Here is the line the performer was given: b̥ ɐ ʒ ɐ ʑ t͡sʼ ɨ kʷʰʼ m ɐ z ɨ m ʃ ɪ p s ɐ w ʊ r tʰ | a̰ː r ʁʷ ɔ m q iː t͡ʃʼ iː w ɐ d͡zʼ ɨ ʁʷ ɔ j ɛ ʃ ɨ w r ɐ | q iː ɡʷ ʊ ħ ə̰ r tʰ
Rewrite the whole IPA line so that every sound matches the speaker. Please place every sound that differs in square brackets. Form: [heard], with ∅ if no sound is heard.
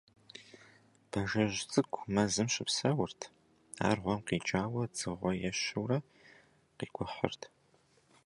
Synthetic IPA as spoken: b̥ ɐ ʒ ɐ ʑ t͡sʼ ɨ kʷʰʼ m ɐ z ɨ m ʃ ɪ p s ɐ w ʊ r tʰ | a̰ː r ʁʷ ɔ m q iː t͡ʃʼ [aː] w ɐ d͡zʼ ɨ ʁʷ ɔ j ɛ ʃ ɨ w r ɐ | q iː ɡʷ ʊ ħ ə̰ r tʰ